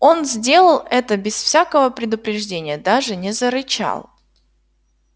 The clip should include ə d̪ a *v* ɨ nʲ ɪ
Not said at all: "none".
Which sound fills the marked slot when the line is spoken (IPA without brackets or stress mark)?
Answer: ʐ